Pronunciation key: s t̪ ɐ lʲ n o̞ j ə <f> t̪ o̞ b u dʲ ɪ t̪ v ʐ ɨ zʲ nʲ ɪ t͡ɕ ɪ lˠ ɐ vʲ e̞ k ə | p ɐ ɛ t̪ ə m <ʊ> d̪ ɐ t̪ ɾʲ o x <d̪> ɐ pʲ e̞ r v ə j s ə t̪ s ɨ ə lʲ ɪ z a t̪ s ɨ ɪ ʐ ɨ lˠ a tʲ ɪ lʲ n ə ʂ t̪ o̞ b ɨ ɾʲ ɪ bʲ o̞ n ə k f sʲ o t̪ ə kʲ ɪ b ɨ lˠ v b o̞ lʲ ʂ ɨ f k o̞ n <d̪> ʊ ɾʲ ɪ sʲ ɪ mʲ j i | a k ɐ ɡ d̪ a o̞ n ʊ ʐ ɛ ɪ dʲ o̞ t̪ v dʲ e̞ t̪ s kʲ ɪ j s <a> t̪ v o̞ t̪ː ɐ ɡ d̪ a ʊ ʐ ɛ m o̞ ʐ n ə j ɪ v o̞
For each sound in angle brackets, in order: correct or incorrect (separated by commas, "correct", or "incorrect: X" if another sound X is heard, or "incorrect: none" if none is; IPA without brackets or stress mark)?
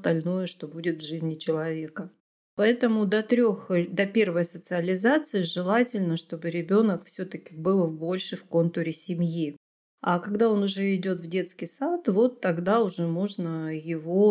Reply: incorrect: ʂ, correct, correct, incorrect: t̪, correct